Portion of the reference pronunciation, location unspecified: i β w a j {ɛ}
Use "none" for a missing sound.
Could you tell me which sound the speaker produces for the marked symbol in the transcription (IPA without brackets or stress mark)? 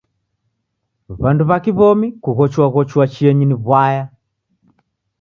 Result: a